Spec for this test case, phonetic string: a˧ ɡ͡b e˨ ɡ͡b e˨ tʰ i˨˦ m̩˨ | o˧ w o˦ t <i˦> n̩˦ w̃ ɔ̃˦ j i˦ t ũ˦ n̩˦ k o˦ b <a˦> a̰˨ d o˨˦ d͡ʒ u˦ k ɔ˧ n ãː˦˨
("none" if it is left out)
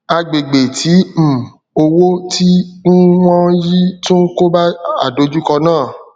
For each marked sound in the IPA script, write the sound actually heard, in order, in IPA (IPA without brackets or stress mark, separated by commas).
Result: i˦, a˦